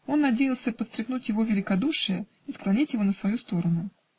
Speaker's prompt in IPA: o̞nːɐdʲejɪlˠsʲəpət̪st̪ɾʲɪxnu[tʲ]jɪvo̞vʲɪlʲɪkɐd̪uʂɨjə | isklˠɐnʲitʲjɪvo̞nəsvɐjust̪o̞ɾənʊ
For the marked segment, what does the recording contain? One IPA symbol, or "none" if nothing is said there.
tʲ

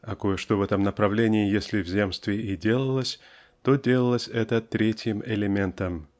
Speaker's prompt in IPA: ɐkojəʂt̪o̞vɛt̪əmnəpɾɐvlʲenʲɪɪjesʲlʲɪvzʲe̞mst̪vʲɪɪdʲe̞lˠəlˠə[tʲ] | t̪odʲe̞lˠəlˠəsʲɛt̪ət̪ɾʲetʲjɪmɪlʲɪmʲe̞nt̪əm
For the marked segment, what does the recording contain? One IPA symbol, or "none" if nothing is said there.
sʲ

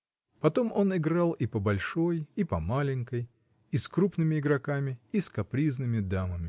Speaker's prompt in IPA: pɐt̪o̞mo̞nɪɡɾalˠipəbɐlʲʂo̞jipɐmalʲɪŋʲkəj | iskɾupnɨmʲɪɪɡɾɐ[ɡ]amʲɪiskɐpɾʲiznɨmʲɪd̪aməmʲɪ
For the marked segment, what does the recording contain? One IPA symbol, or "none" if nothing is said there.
k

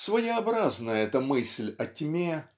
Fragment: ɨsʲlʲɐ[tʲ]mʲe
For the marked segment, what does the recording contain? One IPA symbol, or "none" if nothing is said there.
tʲ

